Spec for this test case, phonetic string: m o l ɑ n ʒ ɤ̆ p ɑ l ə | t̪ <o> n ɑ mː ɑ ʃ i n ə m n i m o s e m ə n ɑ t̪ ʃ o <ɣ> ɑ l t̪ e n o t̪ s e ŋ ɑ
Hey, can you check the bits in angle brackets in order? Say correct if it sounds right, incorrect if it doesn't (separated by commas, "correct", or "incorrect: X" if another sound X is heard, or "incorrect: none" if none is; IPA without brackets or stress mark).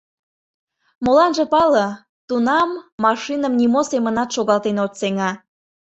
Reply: incorrect: u, correct